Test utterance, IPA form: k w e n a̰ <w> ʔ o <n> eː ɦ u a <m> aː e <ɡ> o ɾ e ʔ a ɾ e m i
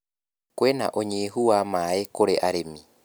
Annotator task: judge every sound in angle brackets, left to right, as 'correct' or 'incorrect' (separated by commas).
incorrect, incorrect, correct, incorrect